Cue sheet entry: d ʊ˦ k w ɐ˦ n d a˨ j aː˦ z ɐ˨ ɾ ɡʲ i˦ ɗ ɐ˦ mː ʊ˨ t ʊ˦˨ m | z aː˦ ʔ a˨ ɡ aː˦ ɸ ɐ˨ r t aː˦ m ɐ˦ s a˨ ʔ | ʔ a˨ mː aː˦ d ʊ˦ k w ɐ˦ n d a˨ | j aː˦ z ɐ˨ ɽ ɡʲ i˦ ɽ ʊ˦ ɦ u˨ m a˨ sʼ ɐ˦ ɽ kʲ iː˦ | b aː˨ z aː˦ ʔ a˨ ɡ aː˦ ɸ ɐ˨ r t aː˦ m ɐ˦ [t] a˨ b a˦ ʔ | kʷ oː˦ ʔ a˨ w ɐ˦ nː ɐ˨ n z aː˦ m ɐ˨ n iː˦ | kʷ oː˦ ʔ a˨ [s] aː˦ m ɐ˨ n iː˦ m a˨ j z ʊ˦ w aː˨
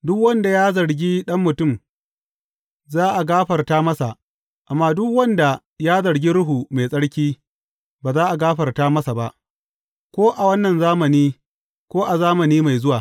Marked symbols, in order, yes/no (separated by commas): no, no